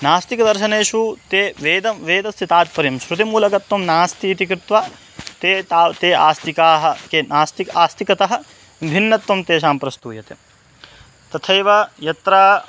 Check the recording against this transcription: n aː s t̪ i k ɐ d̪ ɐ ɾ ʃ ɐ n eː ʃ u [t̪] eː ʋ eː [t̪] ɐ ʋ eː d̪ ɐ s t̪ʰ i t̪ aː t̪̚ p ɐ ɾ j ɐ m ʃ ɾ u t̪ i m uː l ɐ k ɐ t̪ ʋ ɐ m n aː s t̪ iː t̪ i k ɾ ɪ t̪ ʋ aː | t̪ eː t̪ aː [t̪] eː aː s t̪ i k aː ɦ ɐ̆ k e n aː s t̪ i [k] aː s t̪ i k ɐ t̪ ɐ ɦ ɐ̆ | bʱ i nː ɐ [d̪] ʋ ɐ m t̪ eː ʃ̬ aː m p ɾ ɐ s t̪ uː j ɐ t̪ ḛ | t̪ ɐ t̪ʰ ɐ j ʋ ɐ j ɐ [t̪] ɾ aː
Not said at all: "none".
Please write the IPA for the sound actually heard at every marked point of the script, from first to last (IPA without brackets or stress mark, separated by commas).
t̪, d̪, t̪, k, t̪, t̪